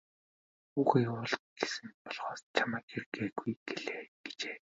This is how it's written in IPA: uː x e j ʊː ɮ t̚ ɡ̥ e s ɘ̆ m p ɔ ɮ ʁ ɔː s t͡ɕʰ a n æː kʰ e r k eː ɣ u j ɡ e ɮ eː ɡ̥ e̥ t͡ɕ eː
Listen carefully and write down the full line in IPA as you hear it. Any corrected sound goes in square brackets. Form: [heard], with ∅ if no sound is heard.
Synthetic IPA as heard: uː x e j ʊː ɮ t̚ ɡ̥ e s ɘ̆ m p ɔ ɮ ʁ ɔː s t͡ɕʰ a [m] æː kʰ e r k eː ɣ u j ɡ e ɮ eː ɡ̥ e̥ t͡ɕ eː